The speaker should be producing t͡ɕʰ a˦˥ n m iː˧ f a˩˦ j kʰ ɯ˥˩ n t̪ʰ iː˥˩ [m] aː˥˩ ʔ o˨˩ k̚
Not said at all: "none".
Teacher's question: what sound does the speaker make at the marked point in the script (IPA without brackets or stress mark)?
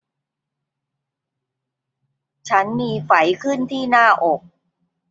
n